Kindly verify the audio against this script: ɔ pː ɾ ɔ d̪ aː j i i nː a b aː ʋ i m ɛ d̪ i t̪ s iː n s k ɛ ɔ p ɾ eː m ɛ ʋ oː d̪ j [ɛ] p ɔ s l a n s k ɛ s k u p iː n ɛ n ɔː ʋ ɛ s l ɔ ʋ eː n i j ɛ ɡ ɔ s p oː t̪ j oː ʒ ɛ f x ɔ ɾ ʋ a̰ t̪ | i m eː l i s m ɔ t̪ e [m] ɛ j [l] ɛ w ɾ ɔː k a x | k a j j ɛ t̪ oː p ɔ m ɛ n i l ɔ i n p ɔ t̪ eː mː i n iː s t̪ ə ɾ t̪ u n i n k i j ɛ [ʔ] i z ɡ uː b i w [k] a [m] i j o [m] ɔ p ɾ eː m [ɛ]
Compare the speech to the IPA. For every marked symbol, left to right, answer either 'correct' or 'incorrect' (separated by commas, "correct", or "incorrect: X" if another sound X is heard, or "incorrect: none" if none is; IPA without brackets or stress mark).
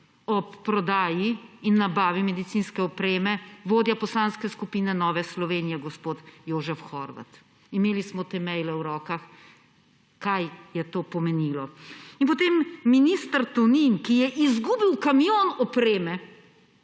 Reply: incorrect: a, correct, correct, correct, correct, correct, incorrect: n, correct